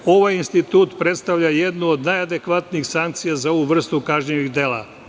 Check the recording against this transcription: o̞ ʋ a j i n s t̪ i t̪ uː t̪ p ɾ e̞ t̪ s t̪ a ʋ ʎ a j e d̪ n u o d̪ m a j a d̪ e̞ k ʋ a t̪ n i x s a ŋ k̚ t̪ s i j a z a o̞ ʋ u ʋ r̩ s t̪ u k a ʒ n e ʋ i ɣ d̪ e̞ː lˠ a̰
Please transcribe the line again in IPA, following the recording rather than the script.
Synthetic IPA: o̞ ʋ a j i n s t̪ i t̪ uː t̪ p ɾ e̞ t̪ s t̪ a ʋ ʎ a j e d̪ n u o d̪ n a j a d̪ e̞ k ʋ a t̪ n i x s a ŋ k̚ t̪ s i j a z a o̞ ʋ u ʋ r̩ s t̪ u k a ʒ ɲ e ʋ i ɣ d̪ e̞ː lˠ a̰